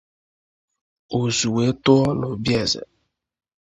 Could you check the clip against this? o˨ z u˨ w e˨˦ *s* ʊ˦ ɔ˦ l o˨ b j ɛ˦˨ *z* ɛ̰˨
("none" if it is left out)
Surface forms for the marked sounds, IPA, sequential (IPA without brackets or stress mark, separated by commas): t, z